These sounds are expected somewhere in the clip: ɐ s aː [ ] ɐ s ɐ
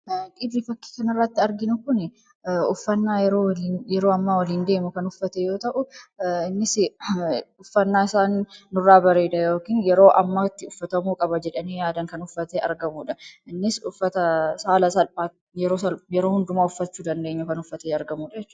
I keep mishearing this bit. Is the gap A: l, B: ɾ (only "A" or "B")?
A